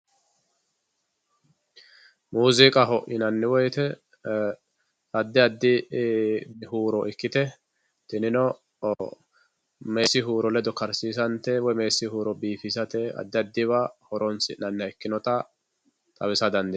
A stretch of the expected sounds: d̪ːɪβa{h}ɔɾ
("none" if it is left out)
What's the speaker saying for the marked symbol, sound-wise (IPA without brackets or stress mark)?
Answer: h